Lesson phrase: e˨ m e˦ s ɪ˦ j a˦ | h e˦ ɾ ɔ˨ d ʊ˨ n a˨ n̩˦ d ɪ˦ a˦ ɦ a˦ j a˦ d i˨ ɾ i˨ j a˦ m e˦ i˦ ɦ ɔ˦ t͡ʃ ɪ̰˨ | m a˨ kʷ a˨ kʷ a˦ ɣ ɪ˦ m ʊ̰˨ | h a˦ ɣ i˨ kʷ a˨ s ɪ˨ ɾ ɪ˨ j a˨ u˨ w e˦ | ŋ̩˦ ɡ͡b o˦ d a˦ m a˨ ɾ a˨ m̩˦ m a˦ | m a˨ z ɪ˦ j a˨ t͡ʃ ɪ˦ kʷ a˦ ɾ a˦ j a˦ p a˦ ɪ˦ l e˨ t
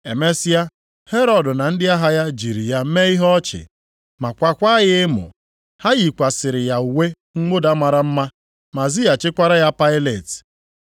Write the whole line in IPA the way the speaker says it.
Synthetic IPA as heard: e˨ m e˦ s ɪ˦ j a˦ | h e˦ ɾ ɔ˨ d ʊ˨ n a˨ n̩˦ d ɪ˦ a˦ ɦ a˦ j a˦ d͡ʒ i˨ ɾ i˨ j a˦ m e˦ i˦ ɦ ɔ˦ t͡ʃ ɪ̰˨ | m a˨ kʷ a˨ kʷ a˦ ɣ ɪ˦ m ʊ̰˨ | h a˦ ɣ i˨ kʷ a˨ s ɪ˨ ɾ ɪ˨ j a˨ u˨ w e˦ | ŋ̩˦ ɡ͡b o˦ d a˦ m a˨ ɾ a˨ m̩˦ m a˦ | m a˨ z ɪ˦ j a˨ t͡ʃ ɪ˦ kʷ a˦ ɾ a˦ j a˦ p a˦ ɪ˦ l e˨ t